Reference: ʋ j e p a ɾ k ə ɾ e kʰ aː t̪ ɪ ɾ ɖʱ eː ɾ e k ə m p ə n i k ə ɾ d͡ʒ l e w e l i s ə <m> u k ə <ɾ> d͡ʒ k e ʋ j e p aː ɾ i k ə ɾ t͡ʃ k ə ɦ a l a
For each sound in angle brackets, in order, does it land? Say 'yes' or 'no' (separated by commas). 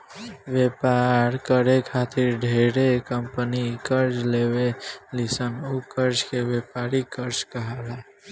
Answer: no, yes